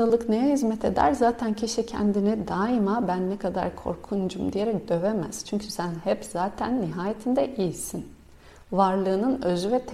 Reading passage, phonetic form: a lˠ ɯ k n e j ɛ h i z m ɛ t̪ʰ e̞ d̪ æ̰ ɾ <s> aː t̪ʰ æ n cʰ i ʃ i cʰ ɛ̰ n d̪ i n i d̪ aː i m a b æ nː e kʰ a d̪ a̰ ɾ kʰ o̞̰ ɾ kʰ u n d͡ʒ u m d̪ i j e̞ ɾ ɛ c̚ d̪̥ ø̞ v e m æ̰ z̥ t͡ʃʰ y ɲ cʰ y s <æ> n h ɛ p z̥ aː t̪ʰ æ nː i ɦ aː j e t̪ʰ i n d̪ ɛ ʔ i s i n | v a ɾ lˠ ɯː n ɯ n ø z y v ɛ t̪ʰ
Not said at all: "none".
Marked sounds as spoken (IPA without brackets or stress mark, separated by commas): z, æ